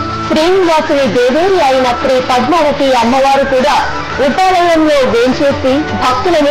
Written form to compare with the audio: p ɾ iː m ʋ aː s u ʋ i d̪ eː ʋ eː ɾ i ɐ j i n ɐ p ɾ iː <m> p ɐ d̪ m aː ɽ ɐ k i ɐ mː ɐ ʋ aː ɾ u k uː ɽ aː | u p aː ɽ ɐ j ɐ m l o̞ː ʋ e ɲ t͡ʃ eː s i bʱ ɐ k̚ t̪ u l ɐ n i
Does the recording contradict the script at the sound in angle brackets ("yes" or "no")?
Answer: yes